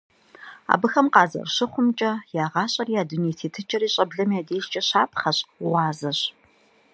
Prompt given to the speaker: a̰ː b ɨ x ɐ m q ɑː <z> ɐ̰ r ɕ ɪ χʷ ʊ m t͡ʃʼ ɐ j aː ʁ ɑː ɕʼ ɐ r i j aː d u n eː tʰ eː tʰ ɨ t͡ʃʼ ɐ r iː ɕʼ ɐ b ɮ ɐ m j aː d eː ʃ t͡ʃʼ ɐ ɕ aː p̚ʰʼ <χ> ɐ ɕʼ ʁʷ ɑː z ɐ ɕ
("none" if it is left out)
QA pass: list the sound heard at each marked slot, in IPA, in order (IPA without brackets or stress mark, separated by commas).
z, χ